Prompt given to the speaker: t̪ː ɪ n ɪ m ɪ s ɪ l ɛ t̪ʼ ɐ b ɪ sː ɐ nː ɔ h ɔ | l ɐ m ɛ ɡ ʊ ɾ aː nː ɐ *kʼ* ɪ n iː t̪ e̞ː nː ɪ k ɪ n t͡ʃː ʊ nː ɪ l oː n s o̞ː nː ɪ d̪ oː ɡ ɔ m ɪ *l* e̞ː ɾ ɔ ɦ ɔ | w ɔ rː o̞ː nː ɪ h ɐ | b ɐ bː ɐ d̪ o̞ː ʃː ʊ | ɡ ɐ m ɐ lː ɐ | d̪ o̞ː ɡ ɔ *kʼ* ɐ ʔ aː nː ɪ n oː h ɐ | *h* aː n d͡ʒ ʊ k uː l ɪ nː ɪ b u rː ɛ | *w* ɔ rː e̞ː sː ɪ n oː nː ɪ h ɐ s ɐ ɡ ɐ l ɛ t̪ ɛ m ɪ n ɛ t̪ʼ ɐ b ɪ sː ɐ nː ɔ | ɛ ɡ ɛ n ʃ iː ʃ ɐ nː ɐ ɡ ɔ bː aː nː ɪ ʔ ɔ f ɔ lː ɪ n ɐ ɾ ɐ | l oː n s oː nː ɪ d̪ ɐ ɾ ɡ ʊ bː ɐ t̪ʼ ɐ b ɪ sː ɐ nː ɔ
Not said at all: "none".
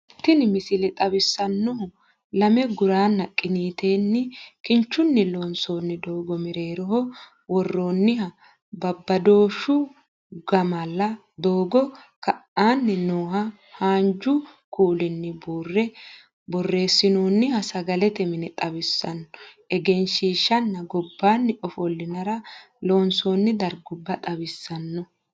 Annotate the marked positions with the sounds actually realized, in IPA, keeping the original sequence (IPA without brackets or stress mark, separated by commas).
kʼ, ɾ, k, h, b